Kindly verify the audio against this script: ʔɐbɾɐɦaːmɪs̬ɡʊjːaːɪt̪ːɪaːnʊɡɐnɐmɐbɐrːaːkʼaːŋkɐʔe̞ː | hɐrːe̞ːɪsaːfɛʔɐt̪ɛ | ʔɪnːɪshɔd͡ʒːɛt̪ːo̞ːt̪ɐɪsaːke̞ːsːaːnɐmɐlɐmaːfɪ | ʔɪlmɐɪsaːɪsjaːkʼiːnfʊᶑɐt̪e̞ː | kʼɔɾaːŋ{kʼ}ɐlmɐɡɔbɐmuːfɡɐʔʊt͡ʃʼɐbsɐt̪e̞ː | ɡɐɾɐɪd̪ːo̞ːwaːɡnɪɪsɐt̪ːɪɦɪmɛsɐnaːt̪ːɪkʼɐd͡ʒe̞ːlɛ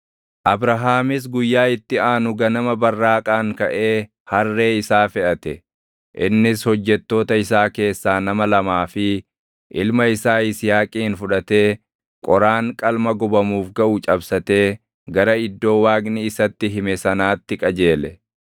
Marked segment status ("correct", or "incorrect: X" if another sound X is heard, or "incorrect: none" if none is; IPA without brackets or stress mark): correct